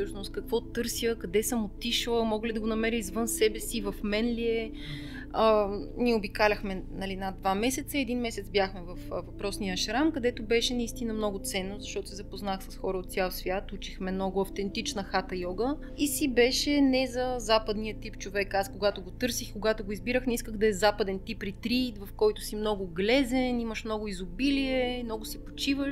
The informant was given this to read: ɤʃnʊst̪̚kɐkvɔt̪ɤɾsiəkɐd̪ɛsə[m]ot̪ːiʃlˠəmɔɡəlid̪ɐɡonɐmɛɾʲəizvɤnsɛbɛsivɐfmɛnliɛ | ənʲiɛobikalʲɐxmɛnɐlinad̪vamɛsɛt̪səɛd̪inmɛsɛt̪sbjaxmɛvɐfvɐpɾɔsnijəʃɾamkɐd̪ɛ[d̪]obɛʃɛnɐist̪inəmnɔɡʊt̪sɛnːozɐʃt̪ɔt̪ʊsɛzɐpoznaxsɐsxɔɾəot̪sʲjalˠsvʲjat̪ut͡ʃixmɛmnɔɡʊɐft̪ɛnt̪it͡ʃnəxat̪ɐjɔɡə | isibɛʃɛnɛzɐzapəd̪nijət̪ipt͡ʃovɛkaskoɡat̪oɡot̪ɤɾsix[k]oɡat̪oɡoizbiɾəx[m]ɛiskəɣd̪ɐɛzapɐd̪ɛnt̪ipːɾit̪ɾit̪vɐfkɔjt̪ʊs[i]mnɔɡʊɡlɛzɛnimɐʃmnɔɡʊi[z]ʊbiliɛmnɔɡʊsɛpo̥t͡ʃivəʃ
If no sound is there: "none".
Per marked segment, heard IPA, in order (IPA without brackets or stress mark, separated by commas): m, t̪, k, n, i, z